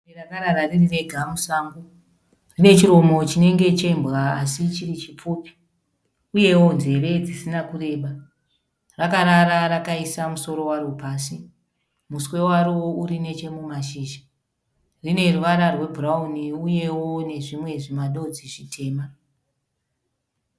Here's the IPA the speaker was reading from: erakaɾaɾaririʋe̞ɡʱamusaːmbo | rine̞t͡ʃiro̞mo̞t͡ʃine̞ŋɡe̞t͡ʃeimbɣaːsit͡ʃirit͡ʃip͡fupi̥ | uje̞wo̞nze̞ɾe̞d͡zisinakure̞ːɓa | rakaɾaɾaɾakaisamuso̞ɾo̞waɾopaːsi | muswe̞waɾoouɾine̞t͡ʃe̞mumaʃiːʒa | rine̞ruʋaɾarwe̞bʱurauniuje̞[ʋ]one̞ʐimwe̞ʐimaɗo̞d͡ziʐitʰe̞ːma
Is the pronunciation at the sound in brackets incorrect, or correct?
incorrect